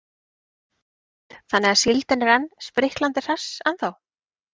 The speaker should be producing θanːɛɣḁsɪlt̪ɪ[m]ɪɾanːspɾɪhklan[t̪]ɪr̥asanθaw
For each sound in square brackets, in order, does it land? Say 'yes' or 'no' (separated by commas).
no, yes